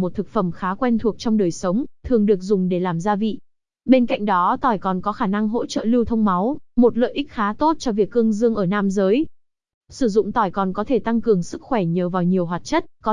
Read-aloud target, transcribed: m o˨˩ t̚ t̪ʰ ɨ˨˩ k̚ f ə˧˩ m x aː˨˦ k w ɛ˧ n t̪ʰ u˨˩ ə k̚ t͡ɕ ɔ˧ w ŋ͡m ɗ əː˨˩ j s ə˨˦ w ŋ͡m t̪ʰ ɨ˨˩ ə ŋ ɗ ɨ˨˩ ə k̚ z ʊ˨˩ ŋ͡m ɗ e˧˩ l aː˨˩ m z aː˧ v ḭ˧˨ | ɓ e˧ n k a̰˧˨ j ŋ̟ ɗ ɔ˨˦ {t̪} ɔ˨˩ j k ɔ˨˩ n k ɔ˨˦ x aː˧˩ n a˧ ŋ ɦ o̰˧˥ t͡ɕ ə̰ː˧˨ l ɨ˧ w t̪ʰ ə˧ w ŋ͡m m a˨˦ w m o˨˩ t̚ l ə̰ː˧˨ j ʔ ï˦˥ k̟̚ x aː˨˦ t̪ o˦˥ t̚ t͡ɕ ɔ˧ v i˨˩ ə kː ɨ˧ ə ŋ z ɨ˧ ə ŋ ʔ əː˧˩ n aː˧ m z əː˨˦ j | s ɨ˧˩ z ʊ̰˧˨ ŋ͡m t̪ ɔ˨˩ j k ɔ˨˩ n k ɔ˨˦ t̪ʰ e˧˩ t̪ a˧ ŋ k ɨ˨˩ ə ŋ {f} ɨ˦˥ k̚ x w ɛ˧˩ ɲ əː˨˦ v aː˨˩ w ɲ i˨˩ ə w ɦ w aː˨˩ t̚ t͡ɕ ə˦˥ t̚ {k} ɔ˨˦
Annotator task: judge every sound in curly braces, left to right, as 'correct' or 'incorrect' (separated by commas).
correct, incorrect, correct